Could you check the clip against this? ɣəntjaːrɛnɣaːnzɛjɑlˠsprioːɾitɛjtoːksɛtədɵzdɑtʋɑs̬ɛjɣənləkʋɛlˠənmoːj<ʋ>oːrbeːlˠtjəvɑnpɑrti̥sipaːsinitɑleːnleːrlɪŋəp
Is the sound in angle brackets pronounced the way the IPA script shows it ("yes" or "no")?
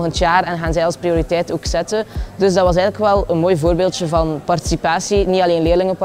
no